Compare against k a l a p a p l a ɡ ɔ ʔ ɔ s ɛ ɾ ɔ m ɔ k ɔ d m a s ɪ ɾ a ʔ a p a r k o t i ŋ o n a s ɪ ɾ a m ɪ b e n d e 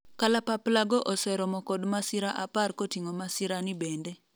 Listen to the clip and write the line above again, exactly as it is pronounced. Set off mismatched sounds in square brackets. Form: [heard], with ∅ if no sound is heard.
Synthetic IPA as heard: k a l a p a p l a ɡ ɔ ʔ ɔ s ɛ ɾ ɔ m ɔ k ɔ d m a s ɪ ɾ a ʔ a p a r k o t i ŋ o [m] a s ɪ ɾ a [n] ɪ b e n d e